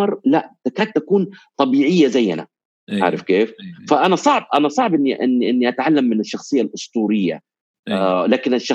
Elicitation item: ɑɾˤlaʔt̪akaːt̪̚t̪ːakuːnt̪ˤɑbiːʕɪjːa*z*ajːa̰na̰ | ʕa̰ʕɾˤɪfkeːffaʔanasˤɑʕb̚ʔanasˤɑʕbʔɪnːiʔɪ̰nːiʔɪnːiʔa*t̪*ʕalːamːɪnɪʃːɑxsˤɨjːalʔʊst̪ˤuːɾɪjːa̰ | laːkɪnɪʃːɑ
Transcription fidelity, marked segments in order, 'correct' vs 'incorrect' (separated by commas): correct, correct